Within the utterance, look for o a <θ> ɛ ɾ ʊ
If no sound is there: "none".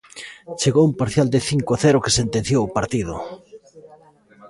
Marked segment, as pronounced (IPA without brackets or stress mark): θ